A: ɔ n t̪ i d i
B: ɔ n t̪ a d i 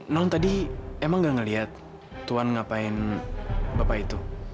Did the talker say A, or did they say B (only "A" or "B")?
B